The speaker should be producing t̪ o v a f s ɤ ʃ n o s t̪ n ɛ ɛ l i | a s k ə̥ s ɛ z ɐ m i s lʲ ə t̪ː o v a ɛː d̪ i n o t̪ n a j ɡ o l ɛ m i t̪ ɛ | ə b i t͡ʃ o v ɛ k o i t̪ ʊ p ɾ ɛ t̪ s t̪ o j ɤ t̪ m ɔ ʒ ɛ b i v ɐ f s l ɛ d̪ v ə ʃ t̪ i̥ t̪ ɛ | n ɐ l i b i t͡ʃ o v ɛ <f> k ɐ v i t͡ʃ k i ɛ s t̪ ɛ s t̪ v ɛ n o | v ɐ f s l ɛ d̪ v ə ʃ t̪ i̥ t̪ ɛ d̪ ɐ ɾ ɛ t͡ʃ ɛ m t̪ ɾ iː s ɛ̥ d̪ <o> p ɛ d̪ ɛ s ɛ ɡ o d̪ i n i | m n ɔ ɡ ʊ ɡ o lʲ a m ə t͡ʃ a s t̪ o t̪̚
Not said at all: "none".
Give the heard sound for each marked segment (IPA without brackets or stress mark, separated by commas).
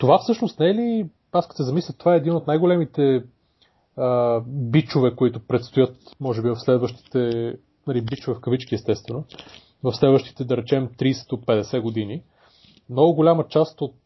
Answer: f, o